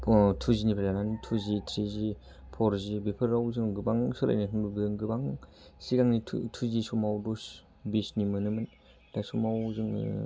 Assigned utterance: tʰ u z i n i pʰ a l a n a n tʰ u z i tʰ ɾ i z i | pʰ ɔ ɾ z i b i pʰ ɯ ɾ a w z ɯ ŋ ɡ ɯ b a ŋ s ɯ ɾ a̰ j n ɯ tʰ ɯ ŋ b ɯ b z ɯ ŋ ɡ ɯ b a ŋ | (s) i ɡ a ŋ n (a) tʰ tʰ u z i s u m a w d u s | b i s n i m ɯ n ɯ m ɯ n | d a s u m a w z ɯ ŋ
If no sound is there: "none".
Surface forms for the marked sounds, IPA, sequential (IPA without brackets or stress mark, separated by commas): s, i